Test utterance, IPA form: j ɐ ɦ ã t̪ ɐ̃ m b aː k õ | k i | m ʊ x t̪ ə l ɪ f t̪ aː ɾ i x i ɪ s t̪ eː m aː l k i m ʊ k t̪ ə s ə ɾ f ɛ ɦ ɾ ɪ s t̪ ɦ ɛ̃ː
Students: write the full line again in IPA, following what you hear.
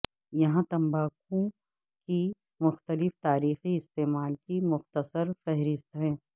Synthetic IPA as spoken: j ɐ ɦ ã t̪ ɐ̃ m b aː k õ | k i | m ʊ x t̪ ə l ɪ f t̪ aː ɾ iː x i ɪ s t̪ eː m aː l k i m ʊ x t̪ ə s ə ɾ f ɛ ɦ ɾ ɪ s t̪ ɦ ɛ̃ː